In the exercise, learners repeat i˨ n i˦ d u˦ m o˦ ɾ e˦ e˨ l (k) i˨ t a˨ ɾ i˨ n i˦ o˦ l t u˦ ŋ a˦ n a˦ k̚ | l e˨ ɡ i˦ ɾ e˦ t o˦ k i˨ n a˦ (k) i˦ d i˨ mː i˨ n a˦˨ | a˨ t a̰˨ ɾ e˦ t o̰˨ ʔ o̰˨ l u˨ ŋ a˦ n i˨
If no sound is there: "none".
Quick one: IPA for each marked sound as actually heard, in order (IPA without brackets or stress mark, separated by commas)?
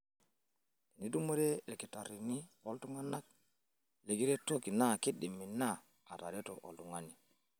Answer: k, k